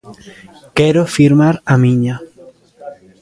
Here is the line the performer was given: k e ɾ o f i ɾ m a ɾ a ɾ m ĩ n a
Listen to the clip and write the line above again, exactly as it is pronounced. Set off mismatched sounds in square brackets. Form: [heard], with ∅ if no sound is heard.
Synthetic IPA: k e ɾ o f i ɾ m a ɾ a [∅] m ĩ [ɲ] a

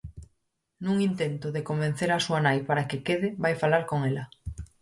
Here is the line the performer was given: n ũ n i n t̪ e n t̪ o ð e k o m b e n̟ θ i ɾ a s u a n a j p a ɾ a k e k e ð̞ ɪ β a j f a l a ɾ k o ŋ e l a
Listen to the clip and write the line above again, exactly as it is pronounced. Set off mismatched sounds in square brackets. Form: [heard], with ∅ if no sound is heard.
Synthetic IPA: n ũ [ŋ] i n t̪ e n t̪ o ð e k o m b e n̟ θ [e] ɾ a s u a n a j p a ɾ a k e k e ð̞ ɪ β a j f a l a ɾ k o ŋ e l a

